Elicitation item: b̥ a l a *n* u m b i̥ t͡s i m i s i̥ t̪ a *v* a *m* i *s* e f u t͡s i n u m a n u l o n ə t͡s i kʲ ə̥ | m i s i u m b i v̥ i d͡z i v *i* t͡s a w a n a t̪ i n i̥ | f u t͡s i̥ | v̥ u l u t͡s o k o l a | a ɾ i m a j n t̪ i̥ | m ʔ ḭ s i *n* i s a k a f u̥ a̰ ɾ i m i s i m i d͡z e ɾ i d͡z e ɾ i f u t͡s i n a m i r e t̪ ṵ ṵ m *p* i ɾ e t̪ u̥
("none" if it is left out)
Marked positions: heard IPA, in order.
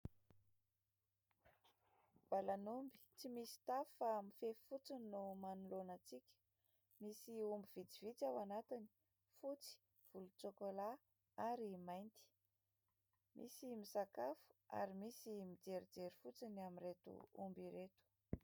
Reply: n, f, m, f, i, m, b

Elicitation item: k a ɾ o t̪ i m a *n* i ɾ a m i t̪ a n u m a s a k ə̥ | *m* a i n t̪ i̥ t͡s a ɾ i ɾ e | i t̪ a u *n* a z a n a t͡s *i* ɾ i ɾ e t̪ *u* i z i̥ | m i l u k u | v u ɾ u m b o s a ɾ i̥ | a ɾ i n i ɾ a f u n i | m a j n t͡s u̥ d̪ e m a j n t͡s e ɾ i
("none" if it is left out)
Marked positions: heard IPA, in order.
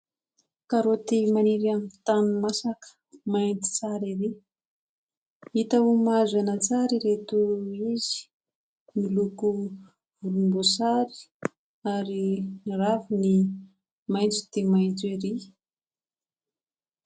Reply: n, m, m, a, u

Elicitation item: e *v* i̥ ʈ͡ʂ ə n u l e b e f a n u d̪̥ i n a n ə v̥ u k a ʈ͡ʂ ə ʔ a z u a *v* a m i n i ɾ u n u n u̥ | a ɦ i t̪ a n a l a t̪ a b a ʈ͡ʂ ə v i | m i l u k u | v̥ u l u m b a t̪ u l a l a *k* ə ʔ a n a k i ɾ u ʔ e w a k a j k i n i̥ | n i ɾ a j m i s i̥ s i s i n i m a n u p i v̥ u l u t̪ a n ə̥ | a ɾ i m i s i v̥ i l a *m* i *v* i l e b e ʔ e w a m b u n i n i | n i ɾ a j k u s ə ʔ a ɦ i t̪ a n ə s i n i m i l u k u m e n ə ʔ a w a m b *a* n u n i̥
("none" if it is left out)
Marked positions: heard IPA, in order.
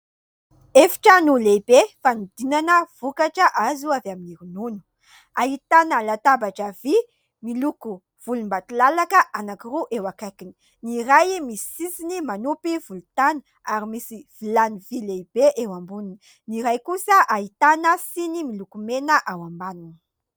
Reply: f, v, k, n, v, a

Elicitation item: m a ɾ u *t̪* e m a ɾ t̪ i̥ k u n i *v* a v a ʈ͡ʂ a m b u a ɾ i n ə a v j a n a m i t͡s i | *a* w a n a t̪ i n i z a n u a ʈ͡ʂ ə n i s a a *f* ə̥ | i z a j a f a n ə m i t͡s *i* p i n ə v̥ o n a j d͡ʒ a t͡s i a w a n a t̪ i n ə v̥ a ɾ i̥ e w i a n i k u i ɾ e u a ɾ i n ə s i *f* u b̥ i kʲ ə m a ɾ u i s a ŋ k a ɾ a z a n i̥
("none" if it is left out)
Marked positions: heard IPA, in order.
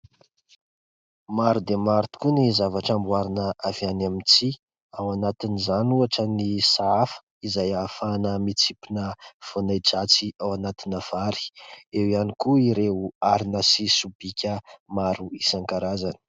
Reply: d̪, z, a, f, i, s

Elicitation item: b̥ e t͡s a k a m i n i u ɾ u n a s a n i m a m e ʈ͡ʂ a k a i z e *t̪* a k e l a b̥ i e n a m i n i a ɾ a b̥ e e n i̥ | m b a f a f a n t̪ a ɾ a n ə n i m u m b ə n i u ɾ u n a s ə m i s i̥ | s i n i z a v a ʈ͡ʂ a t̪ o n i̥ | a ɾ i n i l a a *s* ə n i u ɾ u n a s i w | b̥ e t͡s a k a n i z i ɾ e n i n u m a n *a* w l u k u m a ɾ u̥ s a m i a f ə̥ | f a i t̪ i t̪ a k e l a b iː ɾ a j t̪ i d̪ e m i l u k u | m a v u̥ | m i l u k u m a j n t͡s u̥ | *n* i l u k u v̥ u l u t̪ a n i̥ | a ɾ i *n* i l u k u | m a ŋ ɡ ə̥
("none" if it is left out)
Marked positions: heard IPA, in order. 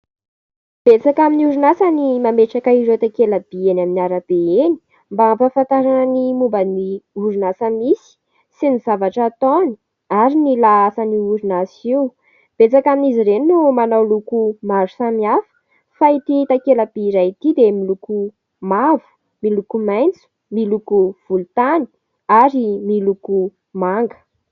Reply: t̪, s, a, m, m

